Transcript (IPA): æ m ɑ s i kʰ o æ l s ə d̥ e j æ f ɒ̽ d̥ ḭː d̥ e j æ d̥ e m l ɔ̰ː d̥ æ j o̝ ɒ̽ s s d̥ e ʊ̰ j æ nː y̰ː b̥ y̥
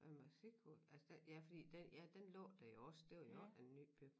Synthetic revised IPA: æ m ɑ s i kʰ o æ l s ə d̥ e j æ f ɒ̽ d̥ ḭː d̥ e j æ d̥ e n l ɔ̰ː d̥ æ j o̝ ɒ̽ s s d̥ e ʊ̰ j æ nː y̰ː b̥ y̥